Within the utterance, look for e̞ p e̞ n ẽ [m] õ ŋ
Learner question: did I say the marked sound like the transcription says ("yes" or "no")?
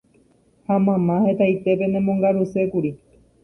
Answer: yes